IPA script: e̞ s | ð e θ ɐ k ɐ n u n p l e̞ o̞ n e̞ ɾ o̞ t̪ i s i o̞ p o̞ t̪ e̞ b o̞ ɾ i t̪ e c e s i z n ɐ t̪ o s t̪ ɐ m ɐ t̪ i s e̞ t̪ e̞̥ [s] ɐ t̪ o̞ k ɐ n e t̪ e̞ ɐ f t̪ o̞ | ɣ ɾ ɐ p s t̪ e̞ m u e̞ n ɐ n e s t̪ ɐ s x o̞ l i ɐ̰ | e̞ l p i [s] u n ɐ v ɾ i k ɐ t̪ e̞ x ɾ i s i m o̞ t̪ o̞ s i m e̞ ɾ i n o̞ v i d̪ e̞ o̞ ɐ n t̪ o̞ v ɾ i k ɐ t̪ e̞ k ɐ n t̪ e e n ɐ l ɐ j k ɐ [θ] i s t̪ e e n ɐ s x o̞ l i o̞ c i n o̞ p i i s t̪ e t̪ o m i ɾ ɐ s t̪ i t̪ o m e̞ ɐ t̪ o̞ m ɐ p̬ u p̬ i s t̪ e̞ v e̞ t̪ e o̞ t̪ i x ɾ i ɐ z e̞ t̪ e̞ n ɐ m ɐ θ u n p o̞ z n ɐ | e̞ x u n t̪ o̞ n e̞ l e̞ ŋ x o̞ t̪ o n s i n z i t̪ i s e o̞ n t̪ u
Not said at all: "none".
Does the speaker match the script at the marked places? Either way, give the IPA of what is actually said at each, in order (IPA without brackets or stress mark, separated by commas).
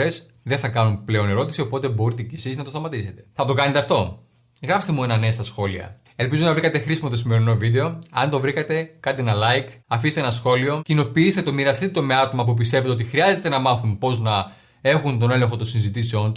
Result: θ, z, f